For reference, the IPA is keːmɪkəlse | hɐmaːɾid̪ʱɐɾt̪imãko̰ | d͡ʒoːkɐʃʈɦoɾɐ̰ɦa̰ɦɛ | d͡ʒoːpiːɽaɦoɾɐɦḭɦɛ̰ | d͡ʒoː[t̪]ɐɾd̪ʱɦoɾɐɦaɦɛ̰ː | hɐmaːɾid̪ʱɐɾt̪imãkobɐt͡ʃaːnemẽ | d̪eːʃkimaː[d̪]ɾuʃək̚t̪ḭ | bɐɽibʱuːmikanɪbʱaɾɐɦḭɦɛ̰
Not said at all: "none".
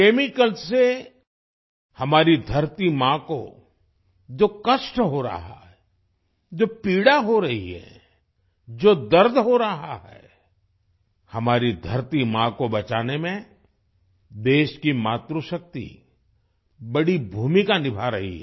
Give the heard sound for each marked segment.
d̪, t̪

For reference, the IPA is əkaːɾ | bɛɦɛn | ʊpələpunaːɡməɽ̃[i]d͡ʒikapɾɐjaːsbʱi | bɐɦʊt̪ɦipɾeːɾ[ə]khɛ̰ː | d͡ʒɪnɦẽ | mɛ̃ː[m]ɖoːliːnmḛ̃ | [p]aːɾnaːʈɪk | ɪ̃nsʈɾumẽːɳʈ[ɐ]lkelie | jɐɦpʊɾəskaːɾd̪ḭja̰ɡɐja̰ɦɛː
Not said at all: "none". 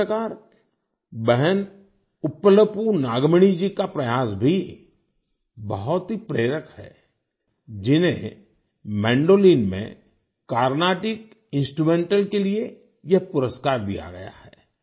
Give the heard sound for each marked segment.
i, ə, ɳ, k, ə

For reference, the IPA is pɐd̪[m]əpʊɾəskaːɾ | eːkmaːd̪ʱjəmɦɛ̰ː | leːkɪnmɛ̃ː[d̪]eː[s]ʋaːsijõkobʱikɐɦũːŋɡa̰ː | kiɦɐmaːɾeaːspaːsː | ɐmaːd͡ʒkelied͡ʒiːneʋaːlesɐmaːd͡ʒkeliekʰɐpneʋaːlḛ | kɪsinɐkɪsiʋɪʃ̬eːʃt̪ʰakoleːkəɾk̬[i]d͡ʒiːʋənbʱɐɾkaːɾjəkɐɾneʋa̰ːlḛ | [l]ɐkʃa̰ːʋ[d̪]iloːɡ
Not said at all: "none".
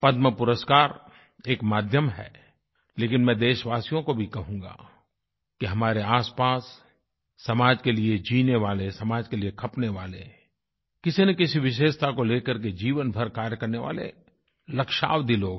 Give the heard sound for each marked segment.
m, d̪, ʃ, e, l, d̪

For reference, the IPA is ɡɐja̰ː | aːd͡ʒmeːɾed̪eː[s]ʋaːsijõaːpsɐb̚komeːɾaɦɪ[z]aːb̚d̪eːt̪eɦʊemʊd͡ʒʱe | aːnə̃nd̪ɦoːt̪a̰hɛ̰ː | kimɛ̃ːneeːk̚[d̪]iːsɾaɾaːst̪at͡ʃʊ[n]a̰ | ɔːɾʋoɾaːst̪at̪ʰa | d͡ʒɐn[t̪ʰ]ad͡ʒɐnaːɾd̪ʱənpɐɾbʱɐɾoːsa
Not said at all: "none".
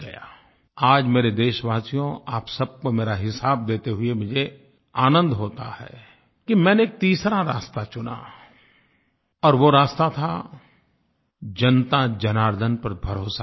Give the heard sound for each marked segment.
ʃ, s, t̪, n, t̪

